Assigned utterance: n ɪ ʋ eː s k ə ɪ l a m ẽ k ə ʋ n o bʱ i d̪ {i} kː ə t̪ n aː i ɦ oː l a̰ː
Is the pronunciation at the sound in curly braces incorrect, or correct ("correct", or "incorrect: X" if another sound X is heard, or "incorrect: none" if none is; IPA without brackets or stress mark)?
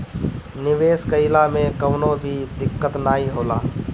incorrect: ɪ